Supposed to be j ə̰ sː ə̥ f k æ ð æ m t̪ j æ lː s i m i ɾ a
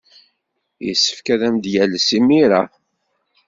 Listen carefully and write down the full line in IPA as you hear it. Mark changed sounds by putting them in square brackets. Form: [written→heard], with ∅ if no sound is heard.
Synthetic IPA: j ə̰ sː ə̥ f k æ ð æ m [t̪→d̪] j æ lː s i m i ɾ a